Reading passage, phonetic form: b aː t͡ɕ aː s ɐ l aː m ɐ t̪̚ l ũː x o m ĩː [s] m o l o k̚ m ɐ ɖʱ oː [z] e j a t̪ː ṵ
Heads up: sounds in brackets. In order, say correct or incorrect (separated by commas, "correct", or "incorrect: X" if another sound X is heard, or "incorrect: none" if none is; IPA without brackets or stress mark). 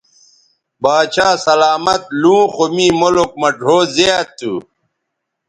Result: incorrect: none, correct